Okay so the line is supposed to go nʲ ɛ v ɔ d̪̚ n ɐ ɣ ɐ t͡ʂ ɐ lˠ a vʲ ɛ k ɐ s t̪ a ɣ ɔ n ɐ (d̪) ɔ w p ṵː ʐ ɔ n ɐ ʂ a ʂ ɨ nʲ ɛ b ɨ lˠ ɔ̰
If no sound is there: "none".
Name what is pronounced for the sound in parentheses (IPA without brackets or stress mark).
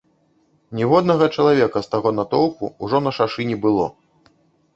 t̪